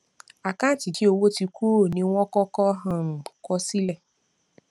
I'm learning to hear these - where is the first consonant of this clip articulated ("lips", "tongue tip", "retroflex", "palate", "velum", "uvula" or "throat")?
velum